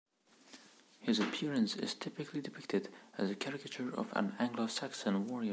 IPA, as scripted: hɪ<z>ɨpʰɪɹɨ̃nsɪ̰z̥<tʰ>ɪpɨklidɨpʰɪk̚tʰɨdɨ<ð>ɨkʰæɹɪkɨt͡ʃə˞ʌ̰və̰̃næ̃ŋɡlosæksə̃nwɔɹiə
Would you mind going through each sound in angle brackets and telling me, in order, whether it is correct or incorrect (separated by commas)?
correct, correct, incorrect